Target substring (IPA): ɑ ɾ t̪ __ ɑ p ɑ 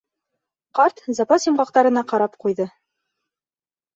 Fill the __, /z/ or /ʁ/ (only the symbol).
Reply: z